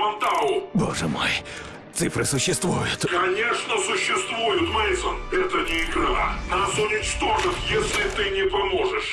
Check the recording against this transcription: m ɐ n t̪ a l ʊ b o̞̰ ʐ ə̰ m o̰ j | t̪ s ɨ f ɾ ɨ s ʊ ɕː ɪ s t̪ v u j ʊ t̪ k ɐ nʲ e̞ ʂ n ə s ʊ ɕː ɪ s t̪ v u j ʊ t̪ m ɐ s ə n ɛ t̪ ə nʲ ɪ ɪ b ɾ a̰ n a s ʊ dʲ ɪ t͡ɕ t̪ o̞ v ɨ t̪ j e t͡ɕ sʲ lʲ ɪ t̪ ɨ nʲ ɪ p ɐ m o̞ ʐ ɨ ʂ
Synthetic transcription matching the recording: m ɐ n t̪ a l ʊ b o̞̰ ʐ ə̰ m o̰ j | t̪ s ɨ f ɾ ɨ s ʊ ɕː ɪ s t̪ v u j ʊ t̪ k ɐ nʲ e̞ ʂ n ə s ʊ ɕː ɪ s t̪ v u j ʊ t̪ m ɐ s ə n ɛ t̪ ə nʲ ɪ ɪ ɡ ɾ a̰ n a s ʊ nʲ ɪ t͡ɕ t̪ o̞ ʐ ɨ t̪ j e sʲ lʲ ɪ t̪ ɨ nʲ ɪ p ɐ m o̞ ʐ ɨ ʂ